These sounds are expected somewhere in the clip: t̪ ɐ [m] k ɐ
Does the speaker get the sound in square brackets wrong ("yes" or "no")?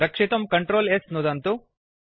no